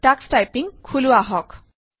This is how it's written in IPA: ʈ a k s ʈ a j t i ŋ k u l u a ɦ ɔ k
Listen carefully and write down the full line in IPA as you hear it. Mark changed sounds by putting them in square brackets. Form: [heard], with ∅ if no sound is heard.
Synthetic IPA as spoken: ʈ a k s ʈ a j [p] i ŋ [kʰ] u l u a ɦ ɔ k

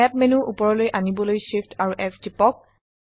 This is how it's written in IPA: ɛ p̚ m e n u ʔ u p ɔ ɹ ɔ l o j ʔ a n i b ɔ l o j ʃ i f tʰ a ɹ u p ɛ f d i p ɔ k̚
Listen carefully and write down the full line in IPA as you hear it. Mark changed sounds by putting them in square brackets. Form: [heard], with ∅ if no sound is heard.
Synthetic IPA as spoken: ɛ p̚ m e n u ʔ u p ɔ ɹ ɔ l o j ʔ a n i b ɔ l o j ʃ i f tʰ a ɹ u [ʔ] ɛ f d i p ɔ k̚

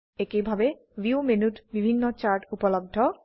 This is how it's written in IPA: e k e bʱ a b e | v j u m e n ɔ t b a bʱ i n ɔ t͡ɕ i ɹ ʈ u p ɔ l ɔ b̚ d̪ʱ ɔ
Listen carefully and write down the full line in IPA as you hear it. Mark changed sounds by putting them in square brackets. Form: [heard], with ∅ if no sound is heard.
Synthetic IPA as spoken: e k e bʱ a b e | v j u m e n [u] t b [i] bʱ i [nː] ɔ t͡ɕ [a] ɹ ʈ u p ɔ l ɔ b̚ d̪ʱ ɔ

